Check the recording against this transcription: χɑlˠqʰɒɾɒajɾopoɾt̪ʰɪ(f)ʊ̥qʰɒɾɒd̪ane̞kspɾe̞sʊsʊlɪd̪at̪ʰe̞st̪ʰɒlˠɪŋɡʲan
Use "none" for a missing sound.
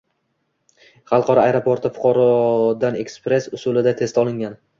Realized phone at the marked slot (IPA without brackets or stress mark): f